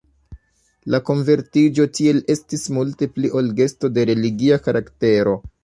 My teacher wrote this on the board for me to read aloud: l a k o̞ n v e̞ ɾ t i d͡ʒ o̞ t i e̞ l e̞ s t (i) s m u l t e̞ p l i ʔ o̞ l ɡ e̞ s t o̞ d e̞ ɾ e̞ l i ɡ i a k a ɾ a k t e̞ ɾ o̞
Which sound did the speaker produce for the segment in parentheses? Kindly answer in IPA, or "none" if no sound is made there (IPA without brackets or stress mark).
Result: i